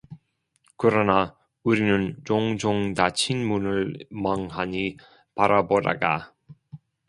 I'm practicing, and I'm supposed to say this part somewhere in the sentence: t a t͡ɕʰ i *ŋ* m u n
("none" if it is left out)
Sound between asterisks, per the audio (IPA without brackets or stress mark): n